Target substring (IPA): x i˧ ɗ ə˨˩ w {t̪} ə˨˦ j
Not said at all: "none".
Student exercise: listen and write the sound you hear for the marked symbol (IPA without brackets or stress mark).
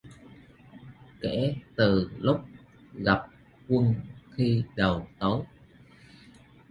t̪